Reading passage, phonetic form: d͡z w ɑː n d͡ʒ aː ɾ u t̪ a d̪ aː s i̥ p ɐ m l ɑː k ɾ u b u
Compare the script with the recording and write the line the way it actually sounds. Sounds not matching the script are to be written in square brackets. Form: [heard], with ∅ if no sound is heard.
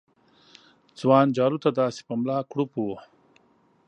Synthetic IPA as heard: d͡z w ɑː n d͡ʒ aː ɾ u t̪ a d̪ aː s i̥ p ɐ m l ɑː k [ɽ] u [p] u